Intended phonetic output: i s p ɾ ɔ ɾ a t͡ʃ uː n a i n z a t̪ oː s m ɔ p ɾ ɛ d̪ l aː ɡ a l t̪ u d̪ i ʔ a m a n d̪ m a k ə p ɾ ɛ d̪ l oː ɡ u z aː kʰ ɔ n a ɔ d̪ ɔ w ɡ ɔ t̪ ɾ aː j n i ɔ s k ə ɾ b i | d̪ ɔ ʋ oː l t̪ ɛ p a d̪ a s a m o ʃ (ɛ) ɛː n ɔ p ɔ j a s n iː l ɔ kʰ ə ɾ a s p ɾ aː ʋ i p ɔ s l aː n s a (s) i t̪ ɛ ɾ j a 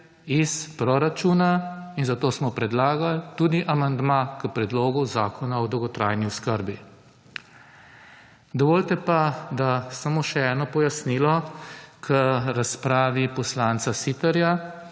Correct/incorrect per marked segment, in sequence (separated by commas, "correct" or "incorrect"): correct, correct